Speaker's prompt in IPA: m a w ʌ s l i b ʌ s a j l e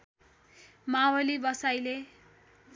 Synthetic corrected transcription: m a w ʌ l i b ʌ s a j l e